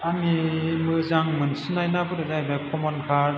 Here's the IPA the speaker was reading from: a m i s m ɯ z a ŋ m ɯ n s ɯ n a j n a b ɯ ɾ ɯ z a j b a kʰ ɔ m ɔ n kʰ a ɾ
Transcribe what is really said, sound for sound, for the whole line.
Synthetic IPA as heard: a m i m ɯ z a ŋ m ɯ n s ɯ n a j n a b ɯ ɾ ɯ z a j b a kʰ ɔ m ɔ n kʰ a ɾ